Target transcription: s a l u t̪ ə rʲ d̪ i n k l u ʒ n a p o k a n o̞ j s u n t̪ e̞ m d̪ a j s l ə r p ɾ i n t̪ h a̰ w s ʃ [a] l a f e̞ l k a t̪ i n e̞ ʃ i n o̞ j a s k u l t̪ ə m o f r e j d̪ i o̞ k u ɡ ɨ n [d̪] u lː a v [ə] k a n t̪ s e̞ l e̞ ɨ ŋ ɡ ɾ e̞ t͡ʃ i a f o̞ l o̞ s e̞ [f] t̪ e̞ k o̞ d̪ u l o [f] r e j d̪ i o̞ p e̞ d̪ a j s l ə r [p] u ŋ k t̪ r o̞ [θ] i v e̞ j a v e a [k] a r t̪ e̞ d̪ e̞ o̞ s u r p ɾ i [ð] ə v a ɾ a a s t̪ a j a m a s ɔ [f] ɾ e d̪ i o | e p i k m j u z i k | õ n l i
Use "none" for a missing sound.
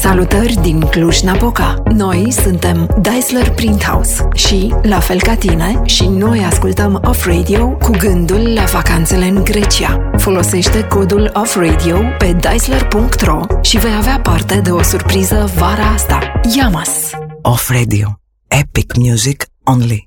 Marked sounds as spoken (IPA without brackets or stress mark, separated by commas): i, d̪, a, ʃ, f, p, ʃ, p, z, f